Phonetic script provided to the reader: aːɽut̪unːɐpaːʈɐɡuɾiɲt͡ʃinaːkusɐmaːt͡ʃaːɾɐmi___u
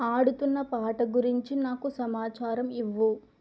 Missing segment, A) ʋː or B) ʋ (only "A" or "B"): A